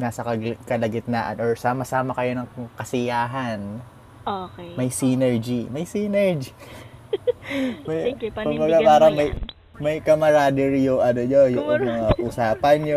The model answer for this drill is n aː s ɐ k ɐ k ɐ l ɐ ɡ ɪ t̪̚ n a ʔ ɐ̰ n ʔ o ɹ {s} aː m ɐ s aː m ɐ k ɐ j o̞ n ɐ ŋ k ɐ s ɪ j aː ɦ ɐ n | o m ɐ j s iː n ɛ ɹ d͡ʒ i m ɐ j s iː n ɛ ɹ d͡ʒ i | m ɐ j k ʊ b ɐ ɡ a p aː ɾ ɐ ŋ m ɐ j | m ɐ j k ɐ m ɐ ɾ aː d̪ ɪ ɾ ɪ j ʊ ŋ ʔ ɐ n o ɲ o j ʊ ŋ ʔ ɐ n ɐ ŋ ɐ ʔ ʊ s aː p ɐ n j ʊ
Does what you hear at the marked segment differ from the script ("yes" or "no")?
no